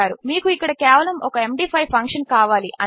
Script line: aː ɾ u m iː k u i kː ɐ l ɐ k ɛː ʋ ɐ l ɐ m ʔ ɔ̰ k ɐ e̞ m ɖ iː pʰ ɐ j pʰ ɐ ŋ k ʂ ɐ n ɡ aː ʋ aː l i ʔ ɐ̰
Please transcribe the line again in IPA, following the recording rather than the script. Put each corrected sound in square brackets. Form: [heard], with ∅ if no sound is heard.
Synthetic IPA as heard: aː ɾ u m iː k u i kː ɐ [ɽ] ɐ k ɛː ʋ ɐ l ɐ m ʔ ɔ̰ k ɐ e̞ m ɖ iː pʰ ɐ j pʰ ɐ ŋ k ʂ ɐ n [k] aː ʋ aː l i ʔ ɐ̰